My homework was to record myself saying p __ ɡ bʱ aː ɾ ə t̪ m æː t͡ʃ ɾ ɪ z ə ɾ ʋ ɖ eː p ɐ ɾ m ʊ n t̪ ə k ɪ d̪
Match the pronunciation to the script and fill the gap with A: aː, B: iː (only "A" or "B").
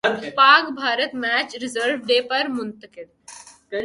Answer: A